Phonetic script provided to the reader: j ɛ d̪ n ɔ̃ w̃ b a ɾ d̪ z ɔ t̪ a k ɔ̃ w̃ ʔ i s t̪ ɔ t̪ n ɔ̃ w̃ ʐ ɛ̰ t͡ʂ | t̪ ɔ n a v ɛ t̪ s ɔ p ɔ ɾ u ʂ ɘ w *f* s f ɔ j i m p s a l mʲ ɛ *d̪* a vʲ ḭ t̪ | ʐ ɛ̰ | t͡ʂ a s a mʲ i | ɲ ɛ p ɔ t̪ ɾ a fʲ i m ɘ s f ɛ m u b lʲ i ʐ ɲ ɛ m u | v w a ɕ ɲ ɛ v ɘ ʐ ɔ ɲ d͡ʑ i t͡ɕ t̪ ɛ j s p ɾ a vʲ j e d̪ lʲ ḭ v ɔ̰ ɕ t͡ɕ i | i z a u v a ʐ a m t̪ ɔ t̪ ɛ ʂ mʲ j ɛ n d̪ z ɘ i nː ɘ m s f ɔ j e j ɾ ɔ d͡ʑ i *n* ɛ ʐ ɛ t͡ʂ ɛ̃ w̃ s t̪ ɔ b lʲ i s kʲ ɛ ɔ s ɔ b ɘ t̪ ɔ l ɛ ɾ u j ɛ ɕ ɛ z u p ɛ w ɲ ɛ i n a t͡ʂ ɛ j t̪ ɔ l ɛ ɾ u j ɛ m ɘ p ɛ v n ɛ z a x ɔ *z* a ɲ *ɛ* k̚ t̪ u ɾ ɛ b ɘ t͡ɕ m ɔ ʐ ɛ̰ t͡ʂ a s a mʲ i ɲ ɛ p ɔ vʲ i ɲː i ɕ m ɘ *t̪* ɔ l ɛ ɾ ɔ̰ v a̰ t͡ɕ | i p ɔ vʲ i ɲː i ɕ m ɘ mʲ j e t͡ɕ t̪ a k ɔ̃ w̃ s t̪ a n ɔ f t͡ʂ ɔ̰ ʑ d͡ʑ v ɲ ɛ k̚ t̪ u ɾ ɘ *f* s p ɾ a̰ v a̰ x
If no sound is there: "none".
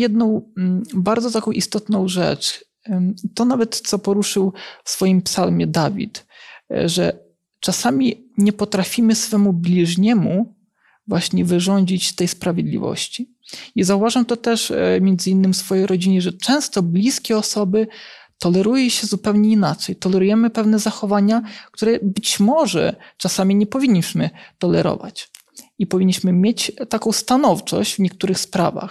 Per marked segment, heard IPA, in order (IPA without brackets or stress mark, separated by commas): f, d̪, ɲ, v, a, t̪, x